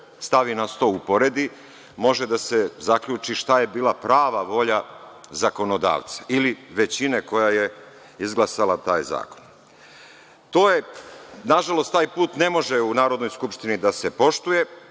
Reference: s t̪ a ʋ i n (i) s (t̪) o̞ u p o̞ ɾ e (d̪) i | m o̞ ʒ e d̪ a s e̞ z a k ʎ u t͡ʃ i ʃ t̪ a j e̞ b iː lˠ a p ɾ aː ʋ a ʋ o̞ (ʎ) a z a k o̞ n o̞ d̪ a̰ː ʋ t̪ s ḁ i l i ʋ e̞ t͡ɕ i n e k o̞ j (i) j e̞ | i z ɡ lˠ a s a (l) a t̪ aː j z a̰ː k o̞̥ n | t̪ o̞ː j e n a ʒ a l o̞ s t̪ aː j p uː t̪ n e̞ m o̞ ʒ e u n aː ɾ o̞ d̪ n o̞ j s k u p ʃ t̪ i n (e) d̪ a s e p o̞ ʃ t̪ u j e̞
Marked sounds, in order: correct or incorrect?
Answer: incorrect: a, correct, correct, correct, incorrect: a, correct, incorrect: i

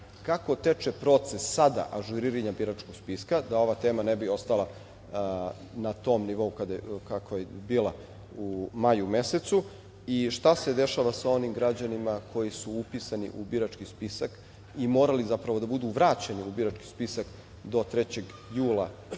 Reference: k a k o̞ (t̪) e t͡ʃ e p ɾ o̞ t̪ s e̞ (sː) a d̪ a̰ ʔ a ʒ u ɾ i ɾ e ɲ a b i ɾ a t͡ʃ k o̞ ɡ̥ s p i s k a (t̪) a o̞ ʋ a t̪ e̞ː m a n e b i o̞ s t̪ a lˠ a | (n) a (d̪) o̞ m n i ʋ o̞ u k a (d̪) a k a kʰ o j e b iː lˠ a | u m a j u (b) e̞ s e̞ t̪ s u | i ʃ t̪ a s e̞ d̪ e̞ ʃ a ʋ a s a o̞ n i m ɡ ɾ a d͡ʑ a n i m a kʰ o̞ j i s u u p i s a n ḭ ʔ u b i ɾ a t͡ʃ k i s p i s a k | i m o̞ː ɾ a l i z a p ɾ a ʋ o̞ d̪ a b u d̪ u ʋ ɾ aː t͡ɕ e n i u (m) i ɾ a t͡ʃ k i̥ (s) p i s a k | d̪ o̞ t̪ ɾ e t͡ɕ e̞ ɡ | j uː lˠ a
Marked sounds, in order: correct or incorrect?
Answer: correct, correct, incorrect: d̪, correct, incorrect: t̪, correct, incorrect: m, incorrect: b, correct

